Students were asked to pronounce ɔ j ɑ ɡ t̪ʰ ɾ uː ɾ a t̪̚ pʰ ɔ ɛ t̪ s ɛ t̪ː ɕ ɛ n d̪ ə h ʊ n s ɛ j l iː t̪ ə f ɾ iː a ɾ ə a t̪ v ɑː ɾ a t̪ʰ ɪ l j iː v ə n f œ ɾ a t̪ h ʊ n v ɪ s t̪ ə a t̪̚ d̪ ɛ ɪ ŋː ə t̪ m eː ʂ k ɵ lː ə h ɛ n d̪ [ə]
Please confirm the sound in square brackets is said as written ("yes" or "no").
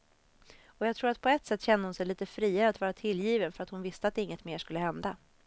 no